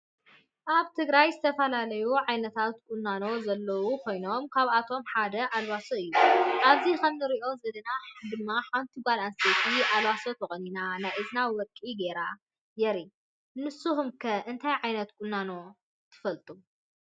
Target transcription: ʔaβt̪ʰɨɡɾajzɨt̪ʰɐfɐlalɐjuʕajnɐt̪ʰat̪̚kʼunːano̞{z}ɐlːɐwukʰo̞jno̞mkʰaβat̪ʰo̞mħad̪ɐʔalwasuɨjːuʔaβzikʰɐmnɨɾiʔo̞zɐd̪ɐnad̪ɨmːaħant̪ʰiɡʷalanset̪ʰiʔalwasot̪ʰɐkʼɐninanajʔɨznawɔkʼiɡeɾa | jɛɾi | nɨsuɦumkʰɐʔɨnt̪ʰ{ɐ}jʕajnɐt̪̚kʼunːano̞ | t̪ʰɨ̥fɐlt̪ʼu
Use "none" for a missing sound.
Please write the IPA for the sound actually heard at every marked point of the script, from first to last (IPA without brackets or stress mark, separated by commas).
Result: z, a